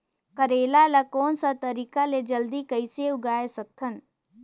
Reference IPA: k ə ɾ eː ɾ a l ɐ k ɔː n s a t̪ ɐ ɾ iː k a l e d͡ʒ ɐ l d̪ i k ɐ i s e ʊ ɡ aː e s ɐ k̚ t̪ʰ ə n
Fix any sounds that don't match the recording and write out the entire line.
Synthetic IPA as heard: k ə ɾ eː l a l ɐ k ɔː n s a t̪ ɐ ɾ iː k a l e d͡ʒ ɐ l d̪ i k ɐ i s e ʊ ɡ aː e s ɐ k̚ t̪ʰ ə n